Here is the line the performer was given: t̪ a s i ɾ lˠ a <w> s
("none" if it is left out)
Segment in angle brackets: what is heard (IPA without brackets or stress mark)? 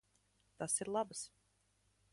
b